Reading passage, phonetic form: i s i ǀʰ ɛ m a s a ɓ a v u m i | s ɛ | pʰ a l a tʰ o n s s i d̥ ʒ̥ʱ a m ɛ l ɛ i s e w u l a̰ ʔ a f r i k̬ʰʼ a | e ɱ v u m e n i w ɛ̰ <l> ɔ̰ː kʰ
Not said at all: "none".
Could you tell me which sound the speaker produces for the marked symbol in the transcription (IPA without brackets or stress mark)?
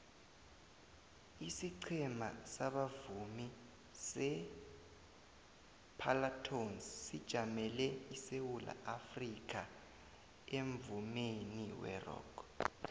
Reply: r